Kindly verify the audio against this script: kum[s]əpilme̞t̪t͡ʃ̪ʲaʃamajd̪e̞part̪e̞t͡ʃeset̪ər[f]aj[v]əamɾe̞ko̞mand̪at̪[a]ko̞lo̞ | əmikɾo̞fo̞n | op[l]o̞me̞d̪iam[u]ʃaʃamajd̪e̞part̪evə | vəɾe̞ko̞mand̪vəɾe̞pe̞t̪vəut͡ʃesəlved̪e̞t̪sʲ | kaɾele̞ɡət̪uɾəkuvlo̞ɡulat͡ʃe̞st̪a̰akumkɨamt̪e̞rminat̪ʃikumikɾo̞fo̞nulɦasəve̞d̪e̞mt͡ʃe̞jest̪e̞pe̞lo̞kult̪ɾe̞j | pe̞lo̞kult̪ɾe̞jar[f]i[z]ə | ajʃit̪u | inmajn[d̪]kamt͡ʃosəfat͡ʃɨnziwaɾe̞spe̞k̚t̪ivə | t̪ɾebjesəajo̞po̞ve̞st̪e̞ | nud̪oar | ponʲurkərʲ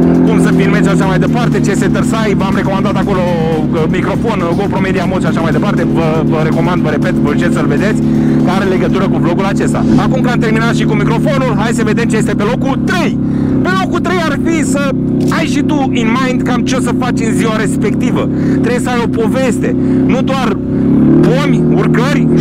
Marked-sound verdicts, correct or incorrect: correct, incorrect, correct, correct, incorrect, incorrect, correct, incorrect, correct

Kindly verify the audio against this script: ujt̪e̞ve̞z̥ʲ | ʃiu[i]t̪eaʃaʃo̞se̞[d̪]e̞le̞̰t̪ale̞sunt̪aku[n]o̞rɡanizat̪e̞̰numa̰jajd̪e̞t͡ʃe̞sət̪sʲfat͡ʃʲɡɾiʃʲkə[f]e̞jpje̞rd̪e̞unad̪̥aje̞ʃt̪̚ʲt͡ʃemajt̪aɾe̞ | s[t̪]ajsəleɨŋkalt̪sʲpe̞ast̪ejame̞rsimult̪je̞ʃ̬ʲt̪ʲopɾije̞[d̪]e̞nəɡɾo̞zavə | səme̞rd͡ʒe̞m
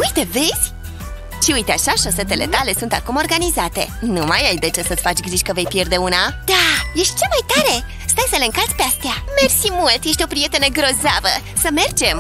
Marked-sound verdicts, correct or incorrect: incorrect, incorrect, incorrect, incorrect, correct, incorrect

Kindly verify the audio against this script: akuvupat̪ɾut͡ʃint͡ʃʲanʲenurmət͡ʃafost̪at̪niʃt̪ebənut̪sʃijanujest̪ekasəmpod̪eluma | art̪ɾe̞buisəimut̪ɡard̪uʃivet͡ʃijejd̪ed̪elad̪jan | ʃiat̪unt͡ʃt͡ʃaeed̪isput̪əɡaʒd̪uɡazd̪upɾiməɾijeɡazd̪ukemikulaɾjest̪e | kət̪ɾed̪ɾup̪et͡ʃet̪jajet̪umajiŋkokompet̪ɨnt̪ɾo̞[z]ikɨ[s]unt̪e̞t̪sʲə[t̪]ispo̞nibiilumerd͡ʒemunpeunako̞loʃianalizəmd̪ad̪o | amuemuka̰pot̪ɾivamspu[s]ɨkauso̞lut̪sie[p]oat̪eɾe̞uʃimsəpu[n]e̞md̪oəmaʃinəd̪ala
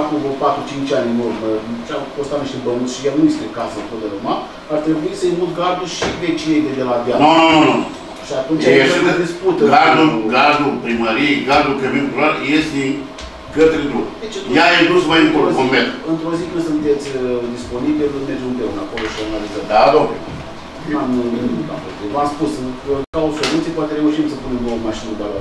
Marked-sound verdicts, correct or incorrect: correct, correct, incorrect, correct, correct, correct

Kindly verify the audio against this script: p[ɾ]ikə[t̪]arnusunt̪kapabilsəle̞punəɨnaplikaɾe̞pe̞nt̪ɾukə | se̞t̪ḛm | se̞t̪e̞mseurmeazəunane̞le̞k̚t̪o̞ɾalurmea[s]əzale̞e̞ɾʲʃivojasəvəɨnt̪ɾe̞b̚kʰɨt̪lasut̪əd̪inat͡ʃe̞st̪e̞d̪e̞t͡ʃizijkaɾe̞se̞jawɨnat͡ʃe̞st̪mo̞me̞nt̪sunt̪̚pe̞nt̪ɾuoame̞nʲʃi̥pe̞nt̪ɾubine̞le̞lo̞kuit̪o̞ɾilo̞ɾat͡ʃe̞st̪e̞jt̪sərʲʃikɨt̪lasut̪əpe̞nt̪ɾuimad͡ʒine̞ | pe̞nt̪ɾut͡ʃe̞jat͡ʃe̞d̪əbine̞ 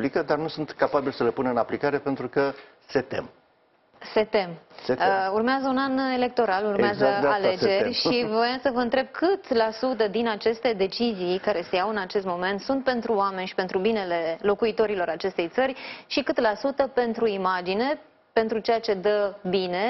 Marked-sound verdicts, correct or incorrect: incorrect, incorrect, incorrect

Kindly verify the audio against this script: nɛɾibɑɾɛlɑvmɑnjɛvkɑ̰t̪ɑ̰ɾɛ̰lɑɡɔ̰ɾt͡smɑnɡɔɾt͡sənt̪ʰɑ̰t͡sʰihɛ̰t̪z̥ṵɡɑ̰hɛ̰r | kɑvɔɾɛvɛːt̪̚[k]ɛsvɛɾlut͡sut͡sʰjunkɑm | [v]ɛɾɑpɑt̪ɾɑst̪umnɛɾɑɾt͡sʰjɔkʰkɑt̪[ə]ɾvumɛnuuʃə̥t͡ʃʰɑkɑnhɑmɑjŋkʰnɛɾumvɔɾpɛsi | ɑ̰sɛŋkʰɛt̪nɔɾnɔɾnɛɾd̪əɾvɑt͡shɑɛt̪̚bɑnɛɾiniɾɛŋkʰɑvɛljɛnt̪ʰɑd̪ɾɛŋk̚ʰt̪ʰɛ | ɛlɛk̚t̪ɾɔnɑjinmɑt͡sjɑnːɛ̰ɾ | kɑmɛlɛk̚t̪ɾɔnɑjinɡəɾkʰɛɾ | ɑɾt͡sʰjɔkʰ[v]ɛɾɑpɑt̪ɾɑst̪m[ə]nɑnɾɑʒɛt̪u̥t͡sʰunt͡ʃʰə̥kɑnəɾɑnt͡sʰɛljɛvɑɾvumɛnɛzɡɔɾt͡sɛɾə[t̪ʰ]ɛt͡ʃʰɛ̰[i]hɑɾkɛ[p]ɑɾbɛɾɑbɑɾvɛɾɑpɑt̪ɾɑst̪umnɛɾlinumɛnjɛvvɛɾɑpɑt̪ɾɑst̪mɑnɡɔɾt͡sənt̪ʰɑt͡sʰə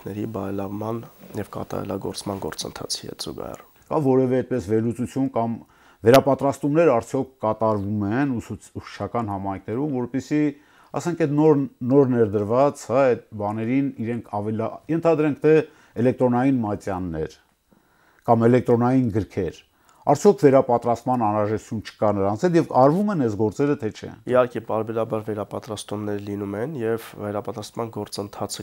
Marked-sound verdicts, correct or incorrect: incorrect, correct, incorrect, correct, incorrect, correct, correct, correct

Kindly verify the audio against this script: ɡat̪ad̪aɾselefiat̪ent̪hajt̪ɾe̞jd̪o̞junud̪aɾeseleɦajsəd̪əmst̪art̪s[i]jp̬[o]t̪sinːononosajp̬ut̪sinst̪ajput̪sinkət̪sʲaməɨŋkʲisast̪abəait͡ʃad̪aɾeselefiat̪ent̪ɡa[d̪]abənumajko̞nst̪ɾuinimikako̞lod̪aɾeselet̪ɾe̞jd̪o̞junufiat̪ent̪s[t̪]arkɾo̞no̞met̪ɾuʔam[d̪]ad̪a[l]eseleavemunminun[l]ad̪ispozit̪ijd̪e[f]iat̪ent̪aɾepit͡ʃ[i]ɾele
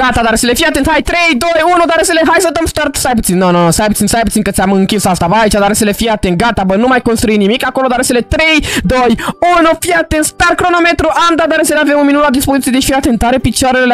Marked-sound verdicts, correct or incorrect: incorrect, incorrect, incorrect, correct, correct, incorrect, correct, correct, incorrect

